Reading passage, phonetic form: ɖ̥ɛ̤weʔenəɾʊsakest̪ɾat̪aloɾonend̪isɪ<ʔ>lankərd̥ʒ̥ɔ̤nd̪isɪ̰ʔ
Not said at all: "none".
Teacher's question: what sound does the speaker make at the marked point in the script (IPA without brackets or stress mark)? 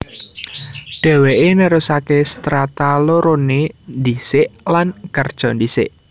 ʔ